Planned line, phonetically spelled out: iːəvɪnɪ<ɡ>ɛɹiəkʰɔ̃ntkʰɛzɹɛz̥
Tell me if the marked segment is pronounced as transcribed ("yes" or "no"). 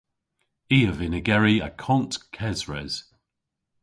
yes